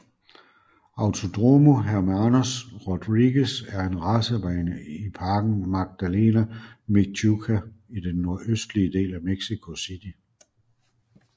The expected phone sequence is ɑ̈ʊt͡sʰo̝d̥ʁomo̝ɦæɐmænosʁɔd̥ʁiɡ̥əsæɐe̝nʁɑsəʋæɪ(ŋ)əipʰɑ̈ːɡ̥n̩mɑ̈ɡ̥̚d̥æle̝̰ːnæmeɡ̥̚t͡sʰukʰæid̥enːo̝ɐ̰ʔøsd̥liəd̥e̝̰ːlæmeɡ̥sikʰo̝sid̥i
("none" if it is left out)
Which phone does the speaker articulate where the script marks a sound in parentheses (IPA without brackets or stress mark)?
n